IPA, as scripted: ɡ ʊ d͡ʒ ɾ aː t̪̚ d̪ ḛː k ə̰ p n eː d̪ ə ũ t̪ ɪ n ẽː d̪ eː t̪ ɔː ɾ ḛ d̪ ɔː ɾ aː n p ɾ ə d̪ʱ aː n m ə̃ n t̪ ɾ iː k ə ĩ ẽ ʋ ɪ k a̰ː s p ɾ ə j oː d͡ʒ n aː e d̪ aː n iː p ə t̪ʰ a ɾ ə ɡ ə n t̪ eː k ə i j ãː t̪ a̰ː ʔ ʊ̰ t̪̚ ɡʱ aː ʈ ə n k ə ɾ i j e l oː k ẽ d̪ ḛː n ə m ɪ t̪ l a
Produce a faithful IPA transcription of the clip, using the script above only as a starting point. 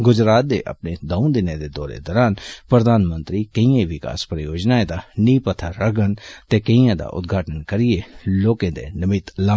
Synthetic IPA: ɡ ʊ d͡ʒ ɾ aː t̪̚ d̪ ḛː ʔ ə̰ p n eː d̪ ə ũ d̪ ɪ n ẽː d̪ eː d̪ ɔː ɾ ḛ d̪ ɔː ɾ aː n p ɾ ə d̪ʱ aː n m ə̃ n t̪ ɾ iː k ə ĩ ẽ ʋ ɪ k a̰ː s p ɾ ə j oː d͡ʒ n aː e d̪ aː n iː p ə t̪ʰ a ɾ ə ɡ ə n t̪ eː k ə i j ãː d̪ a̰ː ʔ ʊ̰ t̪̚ ɡʱ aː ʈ ə n k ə ɾ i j e l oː k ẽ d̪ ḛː n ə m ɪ t̪ l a